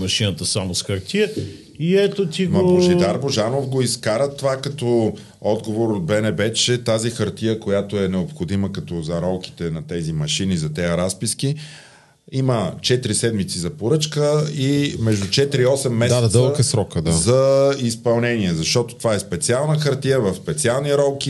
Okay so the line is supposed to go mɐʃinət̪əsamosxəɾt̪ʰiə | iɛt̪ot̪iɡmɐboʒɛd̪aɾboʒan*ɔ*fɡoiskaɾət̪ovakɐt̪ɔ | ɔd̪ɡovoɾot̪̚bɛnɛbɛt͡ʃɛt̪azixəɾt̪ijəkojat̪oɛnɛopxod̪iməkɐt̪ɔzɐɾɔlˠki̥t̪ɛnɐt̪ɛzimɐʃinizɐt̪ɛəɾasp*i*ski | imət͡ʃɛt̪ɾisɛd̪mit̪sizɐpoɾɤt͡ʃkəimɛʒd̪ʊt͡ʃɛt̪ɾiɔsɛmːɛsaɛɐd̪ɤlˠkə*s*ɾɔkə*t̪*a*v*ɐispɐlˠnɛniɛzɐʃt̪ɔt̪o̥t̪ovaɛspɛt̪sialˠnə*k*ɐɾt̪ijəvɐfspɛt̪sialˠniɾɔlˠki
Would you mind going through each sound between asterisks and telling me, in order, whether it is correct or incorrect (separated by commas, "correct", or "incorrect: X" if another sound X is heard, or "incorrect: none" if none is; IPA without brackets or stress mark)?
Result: incorrect: o, correct, correct, incorrect: d̪, incorrect: z, incorrect: x